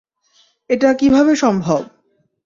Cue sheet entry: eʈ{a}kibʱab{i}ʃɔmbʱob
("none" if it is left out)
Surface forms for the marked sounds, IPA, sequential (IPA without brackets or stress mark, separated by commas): a, e